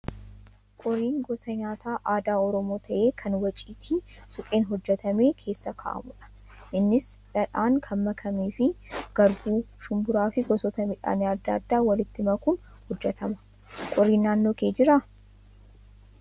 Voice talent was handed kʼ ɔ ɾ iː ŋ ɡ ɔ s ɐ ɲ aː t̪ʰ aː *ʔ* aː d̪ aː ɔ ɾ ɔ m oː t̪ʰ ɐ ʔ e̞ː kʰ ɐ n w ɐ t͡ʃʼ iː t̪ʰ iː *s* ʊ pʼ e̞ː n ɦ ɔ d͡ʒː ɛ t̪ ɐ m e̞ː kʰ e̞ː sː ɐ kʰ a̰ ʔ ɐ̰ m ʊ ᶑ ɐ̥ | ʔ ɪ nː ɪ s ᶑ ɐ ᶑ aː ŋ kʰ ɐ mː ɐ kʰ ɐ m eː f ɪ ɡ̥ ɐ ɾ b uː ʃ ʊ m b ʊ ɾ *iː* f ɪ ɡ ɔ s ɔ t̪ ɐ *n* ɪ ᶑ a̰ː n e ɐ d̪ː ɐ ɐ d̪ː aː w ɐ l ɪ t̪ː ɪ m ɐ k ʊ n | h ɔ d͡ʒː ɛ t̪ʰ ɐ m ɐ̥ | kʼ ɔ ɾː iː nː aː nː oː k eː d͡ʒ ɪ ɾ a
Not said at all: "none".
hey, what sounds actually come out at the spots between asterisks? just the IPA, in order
ʔ, s, aː, m

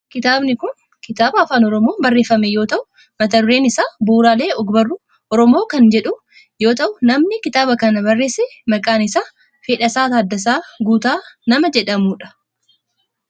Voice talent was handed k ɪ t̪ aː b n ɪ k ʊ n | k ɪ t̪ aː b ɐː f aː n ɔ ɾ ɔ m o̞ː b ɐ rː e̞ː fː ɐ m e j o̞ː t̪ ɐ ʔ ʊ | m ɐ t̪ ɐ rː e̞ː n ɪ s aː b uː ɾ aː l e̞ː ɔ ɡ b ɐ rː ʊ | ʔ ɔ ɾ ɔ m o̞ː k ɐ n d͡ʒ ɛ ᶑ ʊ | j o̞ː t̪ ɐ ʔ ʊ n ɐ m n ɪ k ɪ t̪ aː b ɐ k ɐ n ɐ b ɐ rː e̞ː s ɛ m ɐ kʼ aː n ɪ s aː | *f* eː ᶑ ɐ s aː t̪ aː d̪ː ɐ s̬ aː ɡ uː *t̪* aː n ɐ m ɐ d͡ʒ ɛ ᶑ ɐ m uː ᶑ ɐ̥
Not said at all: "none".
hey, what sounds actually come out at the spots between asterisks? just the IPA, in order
f, t̪

